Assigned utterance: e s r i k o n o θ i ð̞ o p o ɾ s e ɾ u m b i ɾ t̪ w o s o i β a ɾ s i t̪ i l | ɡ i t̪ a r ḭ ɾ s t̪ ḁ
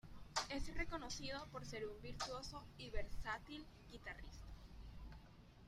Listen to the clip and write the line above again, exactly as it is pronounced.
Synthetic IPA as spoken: e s r e k o n o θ i ð̞ o p o ɾ s e ɾ u m b i ɾ t̪ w o s o i β e ɾ s a t̪ i l | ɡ i t̪ a r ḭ s t̪ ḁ